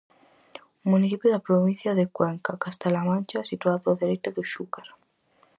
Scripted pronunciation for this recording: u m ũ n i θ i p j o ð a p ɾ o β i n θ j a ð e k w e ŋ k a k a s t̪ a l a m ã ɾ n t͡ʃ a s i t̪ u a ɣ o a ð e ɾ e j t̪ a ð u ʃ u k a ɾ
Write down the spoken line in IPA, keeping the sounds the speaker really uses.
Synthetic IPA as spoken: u m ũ n i θ i p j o ð a p ɾ o β i n θ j a ð e k w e ŋ k a k a s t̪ a l a m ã n t͡ʃ a s i t̪ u a ð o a ð e ɾ e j t̪ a ð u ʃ u k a ɾ